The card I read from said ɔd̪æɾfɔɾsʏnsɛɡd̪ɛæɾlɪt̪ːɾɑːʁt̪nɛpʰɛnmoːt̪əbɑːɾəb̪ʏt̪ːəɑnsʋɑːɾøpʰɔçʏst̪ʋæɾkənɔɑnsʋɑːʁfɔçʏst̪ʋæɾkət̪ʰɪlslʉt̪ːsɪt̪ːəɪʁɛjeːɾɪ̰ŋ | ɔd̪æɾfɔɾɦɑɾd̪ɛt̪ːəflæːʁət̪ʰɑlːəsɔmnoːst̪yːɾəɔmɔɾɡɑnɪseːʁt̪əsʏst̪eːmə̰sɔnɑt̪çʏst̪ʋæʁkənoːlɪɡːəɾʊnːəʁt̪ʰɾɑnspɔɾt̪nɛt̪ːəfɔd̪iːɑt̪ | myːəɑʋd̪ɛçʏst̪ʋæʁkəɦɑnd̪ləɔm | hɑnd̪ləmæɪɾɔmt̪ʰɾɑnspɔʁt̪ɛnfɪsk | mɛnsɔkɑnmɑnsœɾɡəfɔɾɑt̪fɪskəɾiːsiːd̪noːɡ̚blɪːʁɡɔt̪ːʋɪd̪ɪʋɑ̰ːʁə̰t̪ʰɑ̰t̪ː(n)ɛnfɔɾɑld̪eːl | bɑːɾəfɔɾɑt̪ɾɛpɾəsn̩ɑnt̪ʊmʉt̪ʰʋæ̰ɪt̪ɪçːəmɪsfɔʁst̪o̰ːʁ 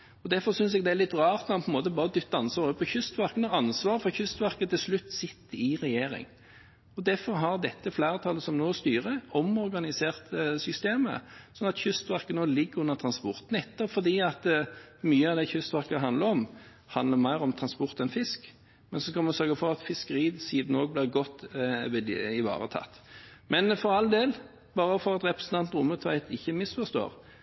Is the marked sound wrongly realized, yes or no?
yes